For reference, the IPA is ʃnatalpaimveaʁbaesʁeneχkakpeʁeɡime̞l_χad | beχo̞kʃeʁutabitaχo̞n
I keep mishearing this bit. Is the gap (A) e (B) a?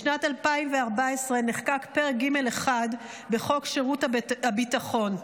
A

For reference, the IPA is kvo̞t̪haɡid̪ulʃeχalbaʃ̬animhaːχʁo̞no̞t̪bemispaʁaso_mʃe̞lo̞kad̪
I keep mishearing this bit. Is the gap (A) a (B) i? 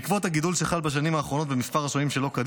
B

